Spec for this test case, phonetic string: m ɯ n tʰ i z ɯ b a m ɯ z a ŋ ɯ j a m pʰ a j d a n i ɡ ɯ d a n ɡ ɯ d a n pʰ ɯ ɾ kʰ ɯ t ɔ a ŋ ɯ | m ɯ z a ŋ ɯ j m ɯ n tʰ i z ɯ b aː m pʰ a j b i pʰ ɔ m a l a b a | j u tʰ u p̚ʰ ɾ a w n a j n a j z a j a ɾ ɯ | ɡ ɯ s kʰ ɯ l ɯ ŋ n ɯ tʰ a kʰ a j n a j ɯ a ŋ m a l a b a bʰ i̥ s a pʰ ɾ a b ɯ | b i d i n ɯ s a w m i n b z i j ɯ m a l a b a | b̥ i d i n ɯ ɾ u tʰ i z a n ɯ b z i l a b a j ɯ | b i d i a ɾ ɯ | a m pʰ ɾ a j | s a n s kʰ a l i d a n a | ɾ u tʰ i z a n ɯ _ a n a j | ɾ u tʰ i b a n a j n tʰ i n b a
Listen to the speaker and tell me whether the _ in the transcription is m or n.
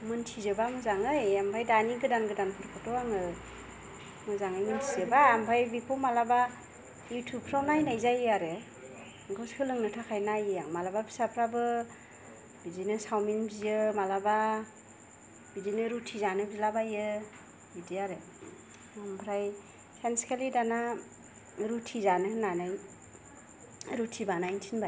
n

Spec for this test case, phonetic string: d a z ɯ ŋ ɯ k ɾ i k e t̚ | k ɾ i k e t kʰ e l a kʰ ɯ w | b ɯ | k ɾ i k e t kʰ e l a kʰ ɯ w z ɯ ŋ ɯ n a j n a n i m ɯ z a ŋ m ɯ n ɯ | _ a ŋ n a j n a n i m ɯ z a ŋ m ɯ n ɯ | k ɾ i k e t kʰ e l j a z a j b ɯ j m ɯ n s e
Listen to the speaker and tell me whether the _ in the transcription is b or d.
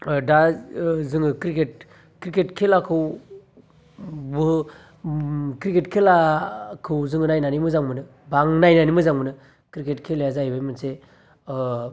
b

